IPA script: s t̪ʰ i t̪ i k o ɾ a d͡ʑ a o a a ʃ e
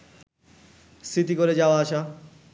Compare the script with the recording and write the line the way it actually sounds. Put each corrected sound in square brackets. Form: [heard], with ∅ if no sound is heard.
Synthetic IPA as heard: s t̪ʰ i t̪ i k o ɾ [e] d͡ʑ a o a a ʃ [a]

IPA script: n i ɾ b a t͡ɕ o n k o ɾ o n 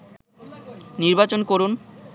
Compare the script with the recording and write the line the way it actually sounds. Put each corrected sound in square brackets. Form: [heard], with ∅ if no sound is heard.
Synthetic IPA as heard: n i ɾ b a t͡ɕ o n k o ɾ [u] n

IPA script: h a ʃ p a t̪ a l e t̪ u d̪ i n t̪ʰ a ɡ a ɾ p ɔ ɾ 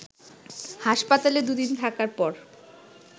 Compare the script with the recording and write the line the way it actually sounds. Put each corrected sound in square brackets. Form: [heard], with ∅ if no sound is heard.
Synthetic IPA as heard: h a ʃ p a t̪ a l e [d̪] u d̪ i n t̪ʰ a [k] a ɾ p ɔ ɾ

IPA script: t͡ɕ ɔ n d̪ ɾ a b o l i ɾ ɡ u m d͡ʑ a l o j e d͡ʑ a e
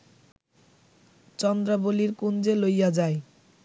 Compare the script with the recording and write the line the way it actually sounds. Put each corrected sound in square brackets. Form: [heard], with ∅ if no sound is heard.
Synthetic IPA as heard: t͡ɕ ɔ n d̪ ɾ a b o l i ɾ [k] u [n] d͡ʑ [e] l o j [a] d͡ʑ a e

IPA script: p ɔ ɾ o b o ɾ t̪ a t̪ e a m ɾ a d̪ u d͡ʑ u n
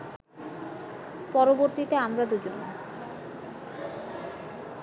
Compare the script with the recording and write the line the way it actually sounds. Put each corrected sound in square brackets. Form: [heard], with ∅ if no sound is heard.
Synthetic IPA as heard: p ɔ ɾ o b o ɾ t̪ [i] t̪ e a m ɾ a d̪ u d͡ʑ [o] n

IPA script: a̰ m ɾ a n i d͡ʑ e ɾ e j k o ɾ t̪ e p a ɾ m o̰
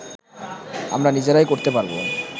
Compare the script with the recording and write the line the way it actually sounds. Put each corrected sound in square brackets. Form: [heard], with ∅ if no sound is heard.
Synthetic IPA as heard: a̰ m ɾ a n i d͡ʑ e ɾ [a] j k o ɾ t̪ e p a ɾ [b] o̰

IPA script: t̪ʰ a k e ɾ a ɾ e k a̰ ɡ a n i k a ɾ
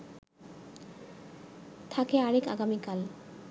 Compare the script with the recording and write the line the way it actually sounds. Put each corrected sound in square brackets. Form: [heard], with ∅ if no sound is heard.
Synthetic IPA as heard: t̪ʰ a k e [∅] a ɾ e k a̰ ɡ a [m] i k a [l]

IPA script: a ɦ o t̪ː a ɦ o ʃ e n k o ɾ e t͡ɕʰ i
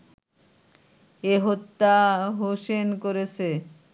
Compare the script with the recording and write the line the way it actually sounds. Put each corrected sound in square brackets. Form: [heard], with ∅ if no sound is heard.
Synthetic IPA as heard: [e] ɦ o t̪ː a ɦ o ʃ e n k o ɾ e t͡ɕʰ [e]

